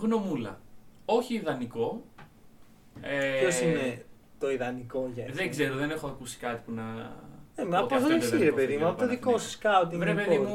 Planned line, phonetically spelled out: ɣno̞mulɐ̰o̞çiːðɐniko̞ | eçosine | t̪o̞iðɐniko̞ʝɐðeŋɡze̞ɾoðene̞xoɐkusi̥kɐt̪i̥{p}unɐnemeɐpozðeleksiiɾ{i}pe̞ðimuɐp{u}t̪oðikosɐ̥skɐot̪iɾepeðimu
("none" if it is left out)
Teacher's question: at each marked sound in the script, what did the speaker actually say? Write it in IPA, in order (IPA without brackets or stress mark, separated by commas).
p, e, o